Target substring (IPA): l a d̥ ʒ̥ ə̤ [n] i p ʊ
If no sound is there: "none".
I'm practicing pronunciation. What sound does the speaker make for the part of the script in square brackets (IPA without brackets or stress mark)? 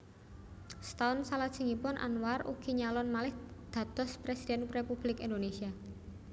ŋ